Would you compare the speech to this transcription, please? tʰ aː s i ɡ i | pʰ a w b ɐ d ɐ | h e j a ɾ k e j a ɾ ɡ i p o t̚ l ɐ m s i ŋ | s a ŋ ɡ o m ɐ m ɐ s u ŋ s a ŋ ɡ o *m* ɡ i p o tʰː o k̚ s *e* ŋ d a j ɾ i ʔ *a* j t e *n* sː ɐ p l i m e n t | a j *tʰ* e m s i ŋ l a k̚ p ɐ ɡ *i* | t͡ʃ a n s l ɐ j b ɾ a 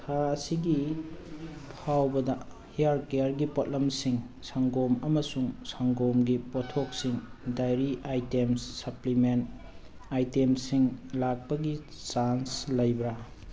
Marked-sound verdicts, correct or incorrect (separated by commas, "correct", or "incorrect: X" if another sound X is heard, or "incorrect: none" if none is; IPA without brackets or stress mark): correct, incorrect: i, correct, incorrect: m, incorrect: t, correct